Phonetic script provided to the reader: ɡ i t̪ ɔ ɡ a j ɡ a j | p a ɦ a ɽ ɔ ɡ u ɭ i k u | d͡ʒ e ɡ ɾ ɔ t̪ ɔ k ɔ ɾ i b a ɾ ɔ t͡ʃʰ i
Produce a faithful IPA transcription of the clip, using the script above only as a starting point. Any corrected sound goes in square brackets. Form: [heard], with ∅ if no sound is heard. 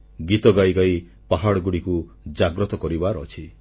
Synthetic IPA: ɡ i t̪ ɔ ɡ a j ɡ a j | p a ɦ a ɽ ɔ ɡ u [ɽ] i k u | d͡ʒ [a] ɡ ɾ ɔ t̪ ɔ k ɔ ɾ i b a ɾ ɔ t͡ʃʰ i

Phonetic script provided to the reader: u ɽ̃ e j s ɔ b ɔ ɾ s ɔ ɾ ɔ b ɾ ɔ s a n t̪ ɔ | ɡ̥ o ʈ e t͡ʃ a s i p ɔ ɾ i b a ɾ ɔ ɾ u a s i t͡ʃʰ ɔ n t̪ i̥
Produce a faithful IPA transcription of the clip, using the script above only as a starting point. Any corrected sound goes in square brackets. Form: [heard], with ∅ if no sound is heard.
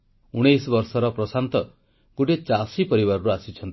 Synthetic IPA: u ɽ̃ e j s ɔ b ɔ ɾ s ɔ ɾ ɔ [p] ɾ ɔ s a n t̪ ɔ | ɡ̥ o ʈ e t͡ʃ a s i p ɔ ɾ i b a ɾ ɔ ɾ u a s i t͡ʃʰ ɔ n t̪ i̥

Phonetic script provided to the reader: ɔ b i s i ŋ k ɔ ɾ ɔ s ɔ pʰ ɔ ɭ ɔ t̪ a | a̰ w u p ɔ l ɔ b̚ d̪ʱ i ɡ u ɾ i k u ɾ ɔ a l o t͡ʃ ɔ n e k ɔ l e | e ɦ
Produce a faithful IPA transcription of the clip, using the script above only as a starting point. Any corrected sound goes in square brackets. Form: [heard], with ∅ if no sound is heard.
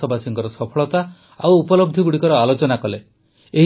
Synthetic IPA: ɔ b [a] s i ŋ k ɔ ɾ ɔ s ɔ pʰ ɔ ɭ ɔ t̪ a | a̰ w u p ɔ l ɔ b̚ d̪ʱ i ɡ u [ɽ] i k [ɔ] ɾ ɔ a l o t͡ʃ ɔ n [a] k ɔ l e | e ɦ

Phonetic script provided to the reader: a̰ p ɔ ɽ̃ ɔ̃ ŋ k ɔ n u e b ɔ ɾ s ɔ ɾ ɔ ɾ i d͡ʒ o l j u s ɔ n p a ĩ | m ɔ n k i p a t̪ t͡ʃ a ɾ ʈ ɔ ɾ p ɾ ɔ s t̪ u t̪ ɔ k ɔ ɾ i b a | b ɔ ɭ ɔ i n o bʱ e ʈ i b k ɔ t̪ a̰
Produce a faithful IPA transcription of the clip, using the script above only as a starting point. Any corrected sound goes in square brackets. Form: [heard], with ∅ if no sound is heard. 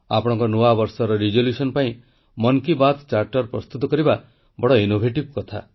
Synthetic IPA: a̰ p ɔ ɽ̃ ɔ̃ ŋ k ɔ n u [a] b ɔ ɾ s ɔ ɾ ɔ ɾ i d͡ʒ o l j u s ɔ n p a ĩ | m ɔ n k i [b] a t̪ t͡ʃ a ɾ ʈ ɔ ɾ p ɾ ɔ s t̪ u t̪ ɔ k ɔ ɾ i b a | b ɔ [ɽ] ɔ i n o bʱ e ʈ i b k ɔ [t̪ʰ] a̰

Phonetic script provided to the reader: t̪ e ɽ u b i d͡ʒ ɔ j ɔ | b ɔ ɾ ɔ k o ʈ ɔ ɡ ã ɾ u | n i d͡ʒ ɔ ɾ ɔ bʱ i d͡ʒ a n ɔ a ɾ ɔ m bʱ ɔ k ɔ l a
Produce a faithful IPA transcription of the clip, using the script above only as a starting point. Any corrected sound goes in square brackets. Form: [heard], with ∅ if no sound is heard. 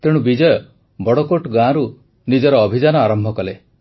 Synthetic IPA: t̪ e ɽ u b i d͡ʒ ɔ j ɔ | b ɔ [ɽ] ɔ k o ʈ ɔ ɡ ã ɾ u | n i d͡ʒ ɔ ɾ [ɔː] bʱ i d͡ʒ a n ɔ a ɾ ɔ m bʱ ɔ k ɔ l [e]

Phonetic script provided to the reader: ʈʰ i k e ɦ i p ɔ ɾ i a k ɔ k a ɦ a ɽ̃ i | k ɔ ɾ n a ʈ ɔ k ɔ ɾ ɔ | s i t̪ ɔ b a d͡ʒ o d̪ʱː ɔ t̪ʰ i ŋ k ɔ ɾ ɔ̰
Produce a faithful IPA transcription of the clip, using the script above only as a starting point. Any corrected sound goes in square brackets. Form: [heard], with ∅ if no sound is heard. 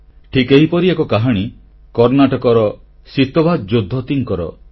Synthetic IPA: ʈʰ i k e ɦ i p ɔ ɾ i [e] k ɔ k a ɦ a ɽ̃ i | k ɔ ɾ n a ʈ ɔ k ɔ ɾ ɔ | s i t̪ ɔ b a d͡ʒ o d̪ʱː ɔ [t̪] i ŋ k ɔ ɾ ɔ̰

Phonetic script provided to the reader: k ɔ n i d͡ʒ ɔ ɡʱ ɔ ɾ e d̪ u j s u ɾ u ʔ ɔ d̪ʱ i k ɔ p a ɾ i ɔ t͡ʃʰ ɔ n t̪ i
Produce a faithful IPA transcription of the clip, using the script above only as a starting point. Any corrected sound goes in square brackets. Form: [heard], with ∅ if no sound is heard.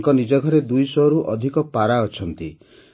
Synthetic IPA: k ɔ n i d͡ʒ ɔ ɡʱ ɔ ɾ e d̪ u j s [ɔ] ɾ u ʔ ɔ d̪ʱ i k ɔ p a ɾ [a] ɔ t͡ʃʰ ɔ n t̪ i

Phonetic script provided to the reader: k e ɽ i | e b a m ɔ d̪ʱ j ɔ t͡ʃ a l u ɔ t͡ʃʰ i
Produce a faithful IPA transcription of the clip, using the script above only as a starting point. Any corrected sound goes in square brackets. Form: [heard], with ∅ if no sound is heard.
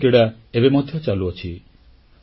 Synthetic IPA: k e ɽ [a] | e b [e] m ɔ d̪ʱ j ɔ t͡ʃ a l u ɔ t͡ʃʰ i

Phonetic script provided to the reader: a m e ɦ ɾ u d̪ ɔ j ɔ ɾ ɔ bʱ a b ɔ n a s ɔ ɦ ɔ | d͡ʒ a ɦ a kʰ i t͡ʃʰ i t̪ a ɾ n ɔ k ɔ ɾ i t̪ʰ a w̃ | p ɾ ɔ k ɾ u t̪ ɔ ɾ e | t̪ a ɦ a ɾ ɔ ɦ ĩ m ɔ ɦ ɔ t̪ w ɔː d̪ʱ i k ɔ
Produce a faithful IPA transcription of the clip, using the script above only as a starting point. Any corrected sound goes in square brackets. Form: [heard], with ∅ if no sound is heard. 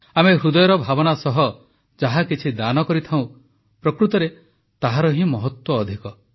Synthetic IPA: a m e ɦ ɾ u d̪ ɔ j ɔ ɾ ɔ bʱ a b ɔ n a s ɔ ɦ ɔ | d͡ʒ a ɦ a [k] i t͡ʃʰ i [d̪] a [∅] n ɔ k ɔ ɾ i t̪ʰ a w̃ | p ɾ ɔ k ɾ u t̪ ɔ ɾ e | t̪ a ɦ a ɾ ɔ ɦ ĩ m ɔ ɦ ɔ t̪ w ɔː d̪ʱ i k ɔ

